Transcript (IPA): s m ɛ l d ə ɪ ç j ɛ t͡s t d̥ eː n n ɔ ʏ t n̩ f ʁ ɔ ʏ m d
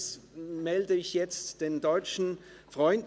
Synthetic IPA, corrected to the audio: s m ɛ l d ə ɪ ç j ɛ t͡s t d̥ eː n d ɔ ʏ t͡ʃ n̩ f ʁ ɔ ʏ n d